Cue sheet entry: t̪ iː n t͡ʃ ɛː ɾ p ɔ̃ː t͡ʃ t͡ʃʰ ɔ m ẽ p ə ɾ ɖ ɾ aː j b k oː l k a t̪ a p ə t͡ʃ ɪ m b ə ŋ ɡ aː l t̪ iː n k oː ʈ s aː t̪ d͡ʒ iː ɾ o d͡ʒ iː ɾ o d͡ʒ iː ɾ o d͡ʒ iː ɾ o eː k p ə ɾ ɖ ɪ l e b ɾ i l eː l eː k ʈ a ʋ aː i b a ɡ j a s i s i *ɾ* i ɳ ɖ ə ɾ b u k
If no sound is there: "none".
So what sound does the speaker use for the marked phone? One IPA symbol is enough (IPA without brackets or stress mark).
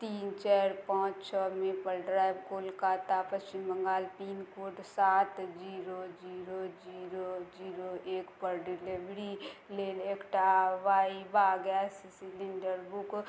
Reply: l